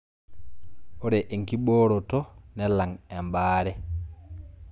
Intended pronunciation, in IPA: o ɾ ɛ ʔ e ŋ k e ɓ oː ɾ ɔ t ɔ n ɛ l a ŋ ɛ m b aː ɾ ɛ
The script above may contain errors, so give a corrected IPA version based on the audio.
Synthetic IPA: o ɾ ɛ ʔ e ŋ k i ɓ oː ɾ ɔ t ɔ n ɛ l a ŋ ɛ m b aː ɾ ɛ